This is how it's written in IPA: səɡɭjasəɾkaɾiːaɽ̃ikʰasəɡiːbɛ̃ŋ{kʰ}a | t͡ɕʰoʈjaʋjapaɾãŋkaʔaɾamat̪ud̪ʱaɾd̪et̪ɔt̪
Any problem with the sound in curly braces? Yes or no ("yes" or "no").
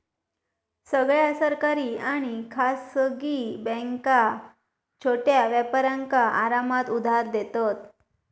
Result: yes